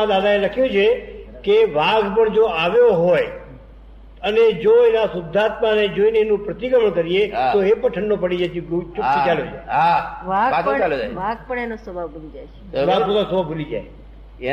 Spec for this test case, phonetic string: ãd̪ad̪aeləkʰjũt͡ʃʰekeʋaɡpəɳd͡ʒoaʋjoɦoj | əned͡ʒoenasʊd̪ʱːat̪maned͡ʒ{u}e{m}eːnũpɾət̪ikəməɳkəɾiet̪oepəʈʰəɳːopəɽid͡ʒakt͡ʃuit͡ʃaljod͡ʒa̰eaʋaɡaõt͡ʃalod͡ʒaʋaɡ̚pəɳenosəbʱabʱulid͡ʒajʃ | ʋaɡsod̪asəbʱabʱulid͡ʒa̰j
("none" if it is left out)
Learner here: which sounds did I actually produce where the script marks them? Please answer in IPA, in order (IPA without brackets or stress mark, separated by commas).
o, n